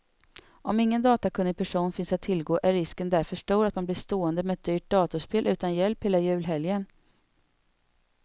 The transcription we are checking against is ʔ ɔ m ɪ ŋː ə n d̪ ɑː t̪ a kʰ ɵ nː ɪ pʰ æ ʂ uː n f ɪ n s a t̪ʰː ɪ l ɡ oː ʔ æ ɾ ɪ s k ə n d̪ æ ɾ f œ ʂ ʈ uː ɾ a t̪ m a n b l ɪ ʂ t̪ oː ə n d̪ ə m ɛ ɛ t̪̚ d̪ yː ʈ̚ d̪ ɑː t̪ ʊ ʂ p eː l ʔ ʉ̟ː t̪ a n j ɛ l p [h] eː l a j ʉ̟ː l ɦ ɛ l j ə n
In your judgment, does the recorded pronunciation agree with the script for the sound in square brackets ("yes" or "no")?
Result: yes